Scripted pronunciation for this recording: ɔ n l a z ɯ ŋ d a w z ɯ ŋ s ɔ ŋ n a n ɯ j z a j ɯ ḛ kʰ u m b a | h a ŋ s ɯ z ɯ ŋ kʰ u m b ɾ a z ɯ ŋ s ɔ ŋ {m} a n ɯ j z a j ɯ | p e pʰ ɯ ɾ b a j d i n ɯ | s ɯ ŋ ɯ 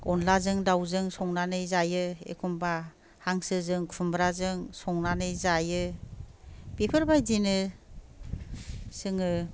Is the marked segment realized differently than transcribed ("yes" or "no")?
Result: yes